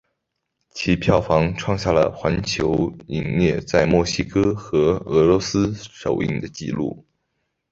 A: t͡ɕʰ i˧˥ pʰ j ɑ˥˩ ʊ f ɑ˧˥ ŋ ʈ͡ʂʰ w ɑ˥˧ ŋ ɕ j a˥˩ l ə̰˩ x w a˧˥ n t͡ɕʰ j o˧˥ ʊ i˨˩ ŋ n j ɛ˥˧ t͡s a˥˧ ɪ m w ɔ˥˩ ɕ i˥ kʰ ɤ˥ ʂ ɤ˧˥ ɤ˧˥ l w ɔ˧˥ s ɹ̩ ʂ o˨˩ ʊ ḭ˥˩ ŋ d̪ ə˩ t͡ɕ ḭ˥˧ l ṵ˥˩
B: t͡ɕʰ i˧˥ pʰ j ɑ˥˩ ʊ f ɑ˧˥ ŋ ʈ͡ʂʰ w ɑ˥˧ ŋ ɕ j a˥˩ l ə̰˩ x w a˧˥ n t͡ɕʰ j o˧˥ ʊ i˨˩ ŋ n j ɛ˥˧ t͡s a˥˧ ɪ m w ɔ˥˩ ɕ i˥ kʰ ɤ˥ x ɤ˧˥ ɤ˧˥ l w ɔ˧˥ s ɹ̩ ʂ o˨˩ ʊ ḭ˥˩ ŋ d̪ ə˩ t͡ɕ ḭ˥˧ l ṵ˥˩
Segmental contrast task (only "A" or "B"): B